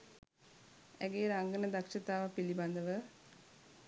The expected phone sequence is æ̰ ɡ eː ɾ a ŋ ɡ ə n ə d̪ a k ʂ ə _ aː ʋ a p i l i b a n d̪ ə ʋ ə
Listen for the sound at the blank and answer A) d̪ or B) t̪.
B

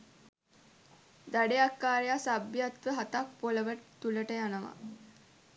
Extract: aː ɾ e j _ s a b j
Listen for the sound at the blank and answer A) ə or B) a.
B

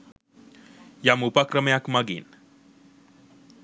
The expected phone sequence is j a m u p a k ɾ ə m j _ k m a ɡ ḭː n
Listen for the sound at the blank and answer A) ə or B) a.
B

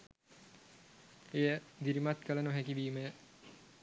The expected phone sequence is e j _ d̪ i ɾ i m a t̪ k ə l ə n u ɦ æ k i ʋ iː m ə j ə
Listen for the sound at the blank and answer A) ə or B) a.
A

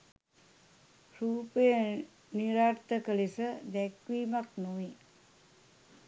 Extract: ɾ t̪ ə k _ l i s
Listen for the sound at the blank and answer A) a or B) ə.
B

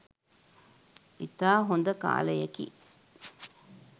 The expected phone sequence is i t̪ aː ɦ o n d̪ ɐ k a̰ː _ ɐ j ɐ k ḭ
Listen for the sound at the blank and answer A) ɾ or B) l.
B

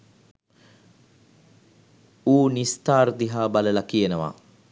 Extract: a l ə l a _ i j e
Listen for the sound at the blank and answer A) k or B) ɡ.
A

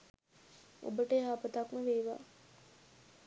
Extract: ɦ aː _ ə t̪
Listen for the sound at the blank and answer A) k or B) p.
B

